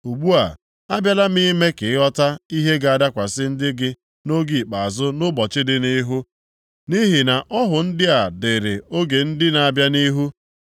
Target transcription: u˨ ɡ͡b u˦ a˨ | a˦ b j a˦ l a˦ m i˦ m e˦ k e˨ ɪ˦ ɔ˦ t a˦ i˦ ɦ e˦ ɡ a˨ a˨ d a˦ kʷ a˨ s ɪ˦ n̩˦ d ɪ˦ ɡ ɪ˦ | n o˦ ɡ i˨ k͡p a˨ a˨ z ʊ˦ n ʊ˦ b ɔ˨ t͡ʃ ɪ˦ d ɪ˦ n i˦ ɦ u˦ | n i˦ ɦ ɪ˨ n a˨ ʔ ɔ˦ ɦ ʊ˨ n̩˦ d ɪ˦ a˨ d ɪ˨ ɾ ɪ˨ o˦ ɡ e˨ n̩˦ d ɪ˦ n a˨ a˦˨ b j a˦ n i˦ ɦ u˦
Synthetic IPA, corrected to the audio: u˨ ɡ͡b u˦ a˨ | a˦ b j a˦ l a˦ m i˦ m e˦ k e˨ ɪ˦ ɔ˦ t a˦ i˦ ɦ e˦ ɡ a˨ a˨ d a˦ kʷ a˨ s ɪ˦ n̩˦ d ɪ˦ ɡ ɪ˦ | n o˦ ɡ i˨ k͡p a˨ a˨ z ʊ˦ n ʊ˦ b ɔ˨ t͡ʃ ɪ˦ d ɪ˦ n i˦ ɦ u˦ | n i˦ ɦ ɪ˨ n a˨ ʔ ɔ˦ ɦ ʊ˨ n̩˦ d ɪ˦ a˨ d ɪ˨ ɾ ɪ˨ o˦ ɡ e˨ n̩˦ d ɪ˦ n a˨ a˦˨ b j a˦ n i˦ ɦ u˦